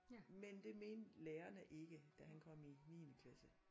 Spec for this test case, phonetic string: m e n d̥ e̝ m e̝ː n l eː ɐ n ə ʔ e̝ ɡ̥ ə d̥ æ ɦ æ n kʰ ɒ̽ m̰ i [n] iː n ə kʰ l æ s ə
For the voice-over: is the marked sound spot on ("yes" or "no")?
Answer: yes